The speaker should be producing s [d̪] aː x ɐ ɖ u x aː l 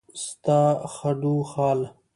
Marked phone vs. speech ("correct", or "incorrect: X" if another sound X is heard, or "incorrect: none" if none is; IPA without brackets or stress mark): incorrect: t̪